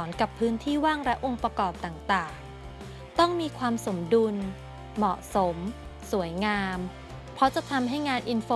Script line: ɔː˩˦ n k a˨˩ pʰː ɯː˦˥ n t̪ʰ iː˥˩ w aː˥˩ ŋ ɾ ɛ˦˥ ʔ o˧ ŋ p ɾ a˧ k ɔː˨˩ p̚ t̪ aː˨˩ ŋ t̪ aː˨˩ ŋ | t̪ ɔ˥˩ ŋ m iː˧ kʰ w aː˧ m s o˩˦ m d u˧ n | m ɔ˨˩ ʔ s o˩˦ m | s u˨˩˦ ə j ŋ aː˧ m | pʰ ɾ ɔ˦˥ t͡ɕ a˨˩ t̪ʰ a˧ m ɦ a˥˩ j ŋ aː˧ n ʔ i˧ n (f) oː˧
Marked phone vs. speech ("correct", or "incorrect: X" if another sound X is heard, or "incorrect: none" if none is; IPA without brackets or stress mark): correct